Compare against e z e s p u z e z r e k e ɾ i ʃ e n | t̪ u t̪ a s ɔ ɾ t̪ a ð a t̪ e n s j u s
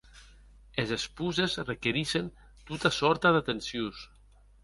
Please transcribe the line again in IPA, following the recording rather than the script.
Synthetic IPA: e z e s p u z e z r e k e ɾ i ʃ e n | t̪ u t̪ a s ɔ ɾ t̪ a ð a t̪ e n s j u s

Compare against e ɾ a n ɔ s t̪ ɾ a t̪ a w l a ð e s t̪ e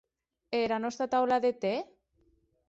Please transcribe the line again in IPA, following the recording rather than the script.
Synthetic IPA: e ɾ a n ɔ s t̪ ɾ a t̪ a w l a ð e t̪ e

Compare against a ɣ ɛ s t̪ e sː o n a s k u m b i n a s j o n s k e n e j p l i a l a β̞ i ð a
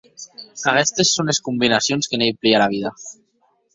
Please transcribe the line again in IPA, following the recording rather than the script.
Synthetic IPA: a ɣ ɛ s t̪ e sː o n e s k u m b i n a s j o n s k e n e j p l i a l a β̞ i ð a

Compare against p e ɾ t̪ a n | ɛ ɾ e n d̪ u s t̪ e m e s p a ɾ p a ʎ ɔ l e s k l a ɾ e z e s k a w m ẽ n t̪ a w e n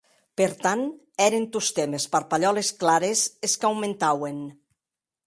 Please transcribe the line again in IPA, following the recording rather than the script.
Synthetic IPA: p e ɾ t̪ a n | ɛ ɾ e n t̪ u s t̪ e m e s p a ɾ p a ʎ ɔ l e s k l a ɾ e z e s k a w m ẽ n t̪ a w e n

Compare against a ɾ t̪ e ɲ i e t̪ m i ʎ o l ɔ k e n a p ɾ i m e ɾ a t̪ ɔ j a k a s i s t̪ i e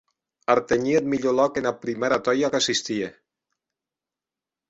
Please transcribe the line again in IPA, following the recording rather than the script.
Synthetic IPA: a ɾ t̪ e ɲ i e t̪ m i ʎ o l ɔ k e n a p ɾ i m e ɾ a t̪ ɔ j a k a s i s t̪ i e

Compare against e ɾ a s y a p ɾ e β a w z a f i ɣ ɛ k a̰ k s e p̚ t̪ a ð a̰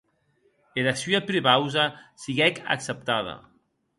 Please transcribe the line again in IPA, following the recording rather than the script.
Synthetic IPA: e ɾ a s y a p ɾ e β a w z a s i ɣ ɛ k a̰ k s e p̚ t̪ a ð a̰

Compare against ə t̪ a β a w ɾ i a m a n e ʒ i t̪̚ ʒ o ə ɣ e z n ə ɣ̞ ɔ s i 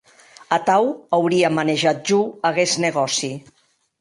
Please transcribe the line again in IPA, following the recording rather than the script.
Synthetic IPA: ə t̪ a w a w ɾ i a m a n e ʒ a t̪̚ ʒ u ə ɣ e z n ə ɣ̞ ɔ s i

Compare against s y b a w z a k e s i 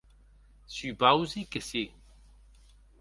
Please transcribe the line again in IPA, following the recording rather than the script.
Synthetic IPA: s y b a w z i k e s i

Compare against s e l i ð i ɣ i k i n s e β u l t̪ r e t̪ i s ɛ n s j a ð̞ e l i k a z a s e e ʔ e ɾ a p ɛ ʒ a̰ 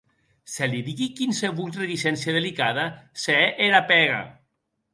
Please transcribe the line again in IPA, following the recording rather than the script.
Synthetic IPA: s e l i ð i ɣ i k i n s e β u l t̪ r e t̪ i s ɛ n s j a ð̞ e l i k a ð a s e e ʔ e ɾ a p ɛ ɣ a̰

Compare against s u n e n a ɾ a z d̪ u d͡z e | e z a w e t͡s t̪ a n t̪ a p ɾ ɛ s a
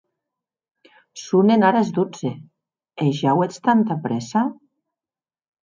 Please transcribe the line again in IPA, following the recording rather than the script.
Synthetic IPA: s u n e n a ɾ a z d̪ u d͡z e | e ʒ a w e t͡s t̪ a n t̪ a p ɾ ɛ s a

